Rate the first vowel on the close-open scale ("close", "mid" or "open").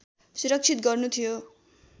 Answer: close